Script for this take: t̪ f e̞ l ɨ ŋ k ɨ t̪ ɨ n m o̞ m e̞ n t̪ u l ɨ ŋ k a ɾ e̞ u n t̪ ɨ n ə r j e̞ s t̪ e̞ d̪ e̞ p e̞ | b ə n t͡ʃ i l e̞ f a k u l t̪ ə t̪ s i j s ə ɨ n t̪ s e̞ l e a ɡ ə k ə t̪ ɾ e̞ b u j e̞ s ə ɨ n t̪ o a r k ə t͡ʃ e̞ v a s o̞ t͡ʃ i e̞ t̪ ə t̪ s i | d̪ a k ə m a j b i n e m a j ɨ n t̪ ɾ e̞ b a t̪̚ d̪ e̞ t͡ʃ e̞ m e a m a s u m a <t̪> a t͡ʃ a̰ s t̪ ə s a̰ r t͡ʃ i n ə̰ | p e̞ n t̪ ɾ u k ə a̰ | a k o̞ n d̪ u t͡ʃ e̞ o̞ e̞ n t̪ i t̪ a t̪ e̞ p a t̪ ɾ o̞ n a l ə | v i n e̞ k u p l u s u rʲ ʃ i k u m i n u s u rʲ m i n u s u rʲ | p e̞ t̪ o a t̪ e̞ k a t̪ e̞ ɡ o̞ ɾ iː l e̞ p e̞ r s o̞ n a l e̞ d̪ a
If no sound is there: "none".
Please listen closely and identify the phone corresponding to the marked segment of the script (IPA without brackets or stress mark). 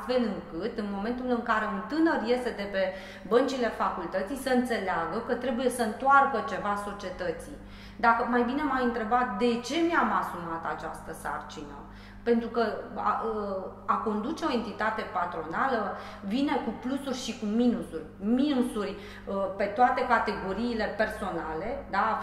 t̪